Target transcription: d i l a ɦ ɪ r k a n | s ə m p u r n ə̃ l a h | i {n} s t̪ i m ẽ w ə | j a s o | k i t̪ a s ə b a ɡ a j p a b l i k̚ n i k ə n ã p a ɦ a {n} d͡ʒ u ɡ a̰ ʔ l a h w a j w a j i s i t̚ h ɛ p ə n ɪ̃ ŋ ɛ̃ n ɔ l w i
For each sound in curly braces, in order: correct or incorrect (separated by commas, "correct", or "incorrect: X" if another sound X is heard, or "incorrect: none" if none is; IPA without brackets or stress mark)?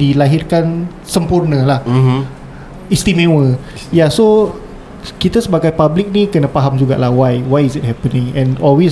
incorrect: none, incorrect: m